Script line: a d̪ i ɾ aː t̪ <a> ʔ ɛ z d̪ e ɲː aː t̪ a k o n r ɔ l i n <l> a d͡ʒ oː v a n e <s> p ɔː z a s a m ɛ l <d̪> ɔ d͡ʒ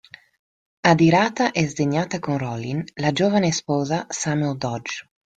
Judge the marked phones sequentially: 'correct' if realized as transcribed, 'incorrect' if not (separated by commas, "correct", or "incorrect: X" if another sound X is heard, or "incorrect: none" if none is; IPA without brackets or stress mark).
correct, correct, correct, correct